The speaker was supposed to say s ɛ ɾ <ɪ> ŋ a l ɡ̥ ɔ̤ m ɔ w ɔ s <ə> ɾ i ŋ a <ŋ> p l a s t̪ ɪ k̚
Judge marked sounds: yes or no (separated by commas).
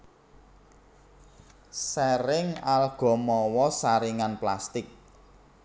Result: yes, no, no